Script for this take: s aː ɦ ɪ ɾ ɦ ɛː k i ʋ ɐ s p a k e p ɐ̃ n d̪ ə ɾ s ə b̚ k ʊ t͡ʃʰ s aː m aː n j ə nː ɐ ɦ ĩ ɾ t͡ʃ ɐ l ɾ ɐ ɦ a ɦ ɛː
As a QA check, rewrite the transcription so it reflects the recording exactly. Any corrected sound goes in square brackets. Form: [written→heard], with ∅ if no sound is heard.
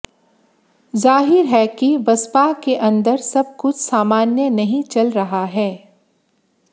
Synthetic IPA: [s→z] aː ɦ ɪ ɾ ɦ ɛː k i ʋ ɐ s p a k e [p→ʔ] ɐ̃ n d̪ ə ɾ s [ə→ɐ] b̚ k ʊ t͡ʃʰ s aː m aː n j ə [nː→n] ɐ ɦ ĩ [ɾ→∅] t͡ʃ ɐ l ɾ ɐ ɦ a ɦ ɛː